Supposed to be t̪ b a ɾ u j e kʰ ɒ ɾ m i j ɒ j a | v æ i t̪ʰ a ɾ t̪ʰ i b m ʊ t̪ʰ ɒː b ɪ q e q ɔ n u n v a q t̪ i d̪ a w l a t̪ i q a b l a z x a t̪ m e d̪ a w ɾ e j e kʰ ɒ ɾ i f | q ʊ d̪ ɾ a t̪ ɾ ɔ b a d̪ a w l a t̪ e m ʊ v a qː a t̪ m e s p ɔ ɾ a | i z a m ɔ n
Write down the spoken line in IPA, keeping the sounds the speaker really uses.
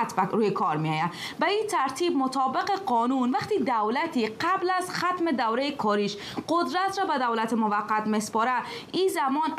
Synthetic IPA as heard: t̪ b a ɾ u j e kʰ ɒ ɾ m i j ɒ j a | b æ i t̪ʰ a ɾ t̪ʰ i b m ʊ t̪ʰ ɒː b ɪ q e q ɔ n u n v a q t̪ i d̪ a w l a t̪ i q a b l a z x a t̪ m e d̪ a w ɾ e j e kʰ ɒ ɾ i ʃ | q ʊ d̪ ɾ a t̪ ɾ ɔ b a d̪ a w l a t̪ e m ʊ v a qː a t̪ m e s p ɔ ɾ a | i z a m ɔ n